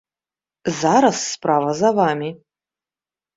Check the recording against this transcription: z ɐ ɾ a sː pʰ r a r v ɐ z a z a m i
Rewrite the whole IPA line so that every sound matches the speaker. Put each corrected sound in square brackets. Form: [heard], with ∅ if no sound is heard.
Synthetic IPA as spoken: z [a] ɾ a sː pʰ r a [∅] v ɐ z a [v] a m i